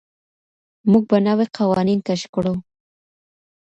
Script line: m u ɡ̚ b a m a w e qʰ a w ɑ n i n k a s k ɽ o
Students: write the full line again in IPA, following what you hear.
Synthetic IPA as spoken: m u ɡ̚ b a n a w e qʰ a w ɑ n i n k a ʃ k ɽ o

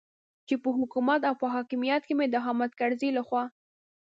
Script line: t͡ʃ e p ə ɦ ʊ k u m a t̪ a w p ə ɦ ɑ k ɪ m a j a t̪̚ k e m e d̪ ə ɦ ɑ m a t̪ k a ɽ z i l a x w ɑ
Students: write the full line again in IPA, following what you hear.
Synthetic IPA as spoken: t͡ʃ e p ə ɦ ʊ k u m a t̪ a w p ə ɦ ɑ k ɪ m i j a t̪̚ k e m e d̪ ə ɦ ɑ m a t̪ k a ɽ z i l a x w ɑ

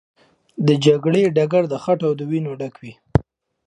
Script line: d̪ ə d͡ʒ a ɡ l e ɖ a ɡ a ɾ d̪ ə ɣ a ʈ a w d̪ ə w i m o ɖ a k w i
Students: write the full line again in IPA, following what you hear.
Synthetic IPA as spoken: d̪ ə d͡ʒ a ɡ ɽ e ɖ a ɡ a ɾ d̪ ə x a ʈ a w d̪ ə w i n o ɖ a k w i

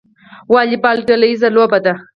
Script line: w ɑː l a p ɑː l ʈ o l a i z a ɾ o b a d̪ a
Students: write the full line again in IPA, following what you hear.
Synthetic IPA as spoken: w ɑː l i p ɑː l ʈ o l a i z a l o b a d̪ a

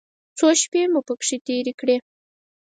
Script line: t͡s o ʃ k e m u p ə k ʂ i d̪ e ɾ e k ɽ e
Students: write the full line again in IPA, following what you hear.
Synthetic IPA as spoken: t͡s o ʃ p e m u p ə k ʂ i t̪ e ɾ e k ɽ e

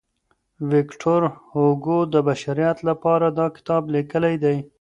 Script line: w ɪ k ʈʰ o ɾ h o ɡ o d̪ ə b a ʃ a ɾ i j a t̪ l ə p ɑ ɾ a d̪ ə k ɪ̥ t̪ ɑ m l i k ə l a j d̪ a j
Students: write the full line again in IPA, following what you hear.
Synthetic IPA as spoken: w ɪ k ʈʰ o ɾ h o ɡ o d̪ ə b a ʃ a ɾ i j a t̪ l a p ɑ ɾ a d̪ ɑ k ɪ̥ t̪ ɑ b l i k ə l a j d̪ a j

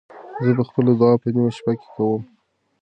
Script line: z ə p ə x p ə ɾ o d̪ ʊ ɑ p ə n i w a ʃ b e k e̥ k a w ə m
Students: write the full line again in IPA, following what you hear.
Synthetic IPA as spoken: z ə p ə x p ə l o d̪ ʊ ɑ p ə n i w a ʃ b a k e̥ k a w ə m

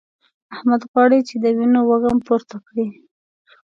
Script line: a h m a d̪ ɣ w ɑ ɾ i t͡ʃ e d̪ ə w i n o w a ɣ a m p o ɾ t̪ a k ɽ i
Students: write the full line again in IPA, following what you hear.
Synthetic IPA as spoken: a h m a d̪ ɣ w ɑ ɽ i t͡ʃ e d̪ ə w i n o w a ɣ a m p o ɾ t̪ a k ɽ i

